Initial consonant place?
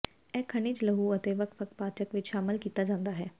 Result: velar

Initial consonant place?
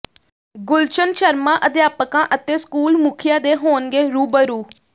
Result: velar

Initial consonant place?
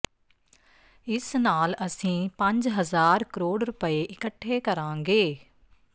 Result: alveolar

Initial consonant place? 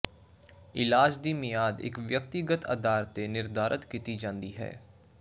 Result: alveolar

